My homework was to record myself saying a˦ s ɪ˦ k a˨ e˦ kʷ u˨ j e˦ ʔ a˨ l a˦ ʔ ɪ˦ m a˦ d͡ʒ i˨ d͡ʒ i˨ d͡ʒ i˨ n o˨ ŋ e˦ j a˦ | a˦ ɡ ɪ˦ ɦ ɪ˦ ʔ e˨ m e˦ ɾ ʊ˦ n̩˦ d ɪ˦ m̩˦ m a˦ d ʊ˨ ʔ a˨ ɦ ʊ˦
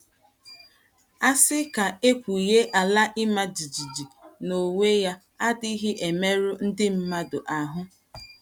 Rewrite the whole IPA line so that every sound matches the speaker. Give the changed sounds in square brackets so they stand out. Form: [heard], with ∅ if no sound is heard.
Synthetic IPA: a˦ s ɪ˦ k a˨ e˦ kʷ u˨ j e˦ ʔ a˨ l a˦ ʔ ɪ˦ m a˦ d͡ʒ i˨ d͡ʒ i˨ d͡ʒ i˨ n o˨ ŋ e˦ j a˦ | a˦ [d] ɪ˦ ɦ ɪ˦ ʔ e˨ m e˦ ɾ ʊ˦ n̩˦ d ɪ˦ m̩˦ m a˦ d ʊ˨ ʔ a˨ ɦ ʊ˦